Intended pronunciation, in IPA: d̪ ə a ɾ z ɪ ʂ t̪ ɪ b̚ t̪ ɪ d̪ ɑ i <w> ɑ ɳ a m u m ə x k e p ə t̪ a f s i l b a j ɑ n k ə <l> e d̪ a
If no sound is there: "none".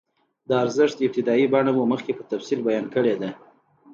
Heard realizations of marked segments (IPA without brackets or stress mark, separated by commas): b, ɽ